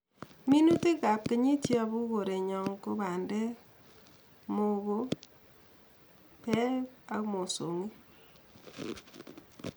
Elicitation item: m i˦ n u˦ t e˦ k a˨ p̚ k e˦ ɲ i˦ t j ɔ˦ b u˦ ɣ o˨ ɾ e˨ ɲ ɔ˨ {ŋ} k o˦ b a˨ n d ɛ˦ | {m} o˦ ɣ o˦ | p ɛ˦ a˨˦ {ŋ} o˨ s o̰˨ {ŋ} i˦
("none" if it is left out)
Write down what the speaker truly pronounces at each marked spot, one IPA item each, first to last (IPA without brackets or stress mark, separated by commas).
ŋ, m, m, ŋ